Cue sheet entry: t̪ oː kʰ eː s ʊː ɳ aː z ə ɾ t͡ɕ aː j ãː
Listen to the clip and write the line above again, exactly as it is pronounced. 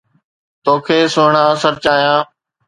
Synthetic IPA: t̪ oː kʰ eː s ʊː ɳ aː s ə ɾ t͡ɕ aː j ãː